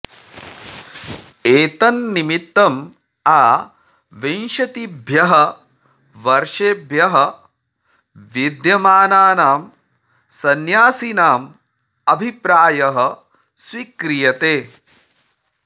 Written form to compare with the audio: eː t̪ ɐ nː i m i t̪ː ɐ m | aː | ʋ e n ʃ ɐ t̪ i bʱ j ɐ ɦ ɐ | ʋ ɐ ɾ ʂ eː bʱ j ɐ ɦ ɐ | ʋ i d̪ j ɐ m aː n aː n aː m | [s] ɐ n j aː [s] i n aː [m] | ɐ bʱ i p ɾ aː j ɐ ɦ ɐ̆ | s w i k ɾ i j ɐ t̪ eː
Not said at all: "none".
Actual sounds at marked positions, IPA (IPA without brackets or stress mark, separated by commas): s, s, m